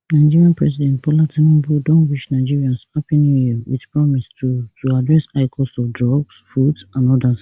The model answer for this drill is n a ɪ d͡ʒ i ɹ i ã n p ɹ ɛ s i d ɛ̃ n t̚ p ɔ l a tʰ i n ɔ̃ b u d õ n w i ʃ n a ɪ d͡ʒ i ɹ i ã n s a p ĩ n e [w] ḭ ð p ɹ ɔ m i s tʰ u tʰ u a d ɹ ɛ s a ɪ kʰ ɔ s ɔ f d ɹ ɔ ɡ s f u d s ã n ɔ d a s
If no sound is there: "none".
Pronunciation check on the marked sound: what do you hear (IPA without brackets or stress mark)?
w